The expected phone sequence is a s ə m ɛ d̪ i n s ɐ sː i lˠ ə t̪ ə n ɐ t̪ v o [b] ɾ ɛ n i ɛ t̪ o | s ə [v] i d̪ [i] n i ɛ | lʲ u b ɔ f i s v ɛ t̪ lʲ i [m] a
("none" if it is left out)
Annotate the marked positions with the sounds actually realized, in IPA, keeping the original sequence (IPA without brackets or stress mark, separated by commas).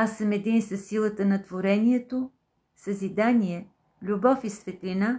none, z, a, n